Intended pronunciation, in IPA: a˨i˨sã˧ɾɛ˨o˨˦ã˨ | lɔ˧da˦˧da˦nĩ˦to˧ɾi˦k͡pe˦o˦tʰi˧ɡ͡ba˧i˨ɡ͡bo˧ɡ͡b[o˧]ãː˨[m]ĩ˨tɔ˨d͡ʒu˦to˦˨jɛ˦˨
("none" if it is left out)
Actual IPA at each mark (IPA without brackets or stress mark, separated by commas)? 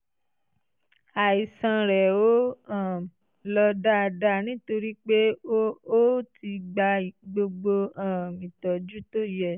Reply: o˧, m